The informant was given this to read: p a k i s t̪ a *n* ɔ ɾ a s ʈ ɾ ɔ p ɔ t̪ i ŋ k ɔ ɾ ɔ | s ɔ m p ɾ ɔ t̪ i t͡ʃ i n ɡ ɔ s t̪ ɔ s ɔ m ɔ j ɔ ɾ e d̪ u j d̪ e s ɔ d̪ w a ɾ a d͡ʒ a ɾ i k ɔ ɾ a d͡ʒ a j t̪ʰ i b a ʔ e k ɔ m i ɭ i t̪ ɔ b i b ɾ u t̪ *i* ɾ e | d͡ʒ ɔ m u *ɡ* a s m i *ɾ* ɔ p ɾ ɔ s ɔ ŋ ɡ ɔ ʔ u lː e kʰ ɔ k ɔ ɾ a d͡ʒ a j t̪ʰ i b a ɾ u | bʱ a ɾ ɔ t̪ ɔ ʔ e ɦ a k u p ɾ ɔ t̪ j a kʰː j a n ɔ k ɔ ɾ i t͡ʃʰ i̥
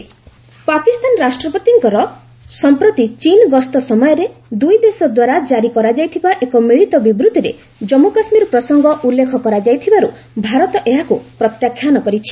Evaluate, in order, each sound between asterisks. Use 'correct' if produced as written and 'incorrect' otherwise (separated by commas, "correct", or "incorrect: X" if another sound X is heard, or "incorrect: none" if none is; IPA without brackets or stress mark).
correct, correct, incorrect: k, correct